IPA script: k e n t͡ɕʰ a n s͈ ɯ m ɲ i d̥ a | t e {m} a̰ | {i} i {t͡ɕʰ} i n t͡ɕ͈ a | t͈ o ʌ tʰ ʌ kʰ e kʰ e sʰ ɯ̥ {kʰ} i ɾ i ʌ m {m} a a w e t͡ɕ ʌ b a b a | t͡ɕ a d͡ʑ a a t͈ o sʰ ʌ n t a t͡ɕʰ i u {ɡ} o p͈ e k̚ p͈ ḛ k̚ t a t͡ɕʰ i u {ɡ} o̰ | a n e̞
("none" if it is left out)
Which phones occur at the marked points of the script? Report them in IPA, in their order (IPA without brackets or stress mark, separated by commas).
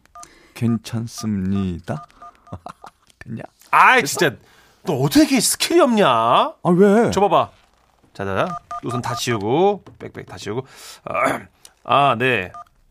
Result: ɲ, a, t͡ɕ, kʰ, ɲ, ɡ, ɡ